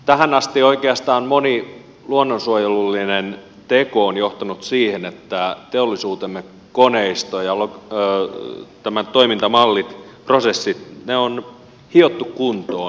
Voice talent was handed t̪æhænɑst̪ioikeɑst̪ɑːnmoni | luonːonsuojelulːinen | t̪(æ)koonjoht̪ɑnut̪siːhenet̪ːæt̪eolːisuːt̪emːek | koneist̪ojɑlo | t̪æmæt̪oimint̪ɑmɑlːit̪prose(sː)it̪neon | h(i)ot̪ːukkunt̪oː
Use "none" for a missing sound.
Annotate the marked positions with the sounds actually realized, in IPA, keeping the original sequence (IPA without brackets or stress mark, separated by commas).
e, sː, i